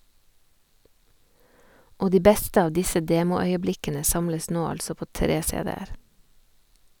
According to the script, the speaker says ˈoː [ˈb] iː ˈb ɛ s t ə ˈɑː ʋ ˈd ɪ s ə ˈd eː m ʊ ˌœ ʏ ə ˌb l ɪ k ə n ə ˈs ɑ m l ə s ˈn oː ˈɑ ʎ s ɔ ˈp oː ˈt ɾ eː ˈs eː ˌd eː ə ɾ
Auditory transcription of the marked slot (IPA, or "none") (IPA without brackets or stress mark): d